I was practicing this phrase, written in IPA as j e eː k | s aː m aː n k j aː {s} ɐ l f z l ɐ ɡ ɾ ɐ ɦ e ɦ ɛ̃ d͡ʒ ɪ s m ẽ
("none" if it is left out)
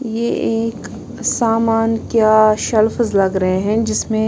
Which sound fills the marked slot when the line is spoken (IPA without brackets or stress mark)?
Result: ʃ